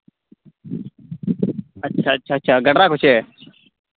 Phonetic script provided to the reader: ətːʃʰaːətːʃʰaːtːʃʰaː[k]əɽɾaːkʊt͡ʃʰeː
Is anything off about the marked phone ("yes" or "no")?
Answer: yes